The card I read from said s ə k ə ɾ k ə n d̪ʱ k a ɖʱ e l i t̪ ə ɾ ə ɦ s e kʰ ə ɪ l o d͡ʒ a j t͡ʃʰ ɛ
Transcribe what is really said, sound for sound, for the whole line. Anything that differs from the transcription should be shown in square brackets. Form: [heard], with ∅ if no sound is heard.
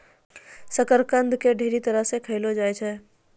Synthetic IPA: s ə k ə ɾ k ə n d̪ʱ k [e] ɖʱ e [ɾ] i t̪ ə ɾ ə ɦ s e kʰ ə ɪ l o d͡ʒ a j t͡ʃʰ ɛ